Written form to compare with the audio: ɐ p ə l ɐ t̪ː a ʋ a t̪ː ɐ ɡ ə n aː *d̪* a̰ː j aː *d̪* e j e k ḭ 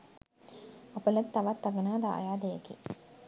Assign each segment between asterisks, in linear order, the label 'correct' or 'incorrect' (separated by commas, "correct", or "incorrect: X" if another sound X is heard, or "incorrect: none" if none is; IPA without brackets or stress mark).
correct, correct